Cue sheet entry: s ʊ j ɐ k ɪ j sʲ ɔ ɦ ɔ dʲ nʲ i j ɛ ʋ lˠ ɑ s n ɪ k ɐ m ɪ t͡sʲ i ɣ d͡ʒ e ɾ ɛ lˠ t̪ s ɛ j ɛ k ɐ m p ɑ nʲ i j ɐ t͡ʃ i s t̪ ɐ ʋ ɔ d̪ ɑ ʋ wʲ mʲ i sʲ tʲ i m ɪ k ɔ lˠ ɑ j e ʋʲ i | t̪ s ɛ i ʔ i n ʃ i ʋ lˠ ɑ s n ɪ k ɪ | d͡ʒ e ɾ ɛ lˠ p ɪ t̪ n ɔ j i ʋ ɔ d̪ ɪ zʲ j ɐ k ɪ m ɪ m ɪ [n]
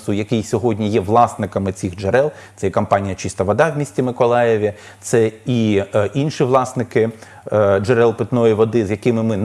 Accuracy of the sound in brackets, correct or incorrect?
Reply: correct